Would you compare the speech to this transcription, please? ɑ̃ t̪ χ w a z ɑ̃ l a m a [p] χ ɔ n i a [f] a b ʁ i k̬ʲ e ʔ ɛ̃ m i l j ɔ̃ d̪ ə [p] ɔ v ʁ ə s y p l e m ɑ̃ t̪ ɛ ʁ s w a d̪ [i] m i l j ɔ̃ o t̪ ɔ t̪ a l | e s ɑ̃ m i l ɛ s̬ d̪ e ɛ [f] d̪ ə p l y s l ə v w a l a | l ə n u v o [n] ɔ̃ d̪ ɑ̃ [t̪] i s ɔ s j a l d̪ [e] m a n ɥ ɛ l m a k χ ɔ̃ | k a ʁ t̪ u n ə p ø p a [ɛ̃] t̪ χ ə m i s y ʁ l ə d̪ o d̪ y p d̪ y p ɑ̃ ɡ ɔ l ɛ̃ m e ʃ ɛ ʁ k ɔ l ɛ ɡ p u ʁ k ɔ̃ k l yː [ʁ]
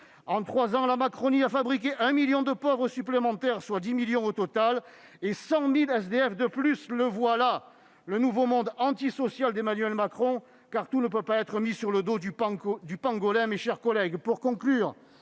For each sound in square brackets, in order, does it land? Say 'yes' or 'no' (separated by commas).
no, yes, yes, yes, yes, no, yes, yes, no, yes